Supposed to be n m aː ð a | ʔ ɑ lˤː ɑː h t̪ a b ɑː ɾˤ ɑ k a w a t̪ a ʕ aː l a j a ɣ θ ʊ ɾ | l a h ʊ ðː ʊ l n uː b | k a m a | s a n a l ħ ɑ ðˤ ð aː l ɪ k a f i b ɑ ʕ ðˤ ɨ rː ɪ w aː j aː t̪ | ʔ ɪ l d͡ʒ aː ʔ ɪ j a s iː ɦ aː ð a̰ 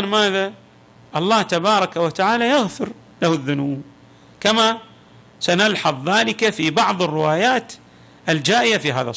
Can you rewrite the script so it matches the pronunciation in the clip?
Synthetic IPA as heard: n m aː ð a | ʔ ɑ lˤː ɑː h t̪ a b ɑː ɾˤ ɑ k a w a t̪ a ʕ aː l a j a ɣ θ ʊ ɾ | l a h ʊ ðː ʊ n uː b | k a m a | s a n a l ħ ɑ ðˤ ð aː l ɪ k a f i b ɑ ʕ ðˤ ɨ rː ɪ w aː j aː t̪ | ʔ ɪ l d͡ʒ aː ʔ ɪ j a f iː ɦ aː ð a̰